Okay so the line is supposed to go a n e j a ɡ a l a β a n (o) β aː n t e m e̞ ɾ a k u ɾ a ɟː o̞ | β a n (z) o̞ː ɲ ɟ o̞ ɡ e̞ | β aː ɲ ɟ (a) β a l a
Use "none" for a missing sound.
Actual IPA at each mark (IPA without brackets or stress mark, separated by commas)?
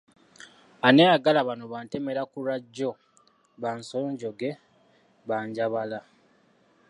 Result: o, s, a